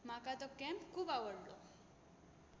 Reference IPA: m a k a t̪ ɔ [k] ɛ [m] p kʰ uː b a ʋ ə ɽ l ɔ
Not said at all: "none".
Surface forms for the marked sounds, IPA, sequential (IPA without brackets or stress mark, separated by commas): k, m